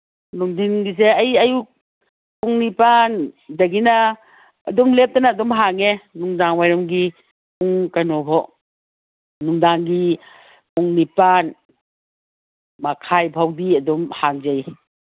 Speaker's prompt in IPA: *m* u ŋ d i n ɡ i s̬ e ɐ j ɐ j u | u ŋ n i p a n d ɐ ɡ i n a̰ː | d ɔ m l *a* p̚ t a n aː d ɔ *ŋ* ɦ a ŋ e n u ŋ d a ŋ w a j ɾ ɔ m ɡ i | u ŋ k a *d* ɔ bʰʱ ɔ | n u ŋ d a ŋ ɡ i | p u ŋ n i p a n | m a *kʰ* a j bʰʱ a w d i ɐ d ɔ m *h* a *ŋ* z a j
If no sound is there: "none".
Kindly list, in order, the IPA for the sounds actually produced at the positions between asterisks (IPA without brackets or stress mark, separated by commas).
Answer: n, e, m, n, kʰ, h, ŋ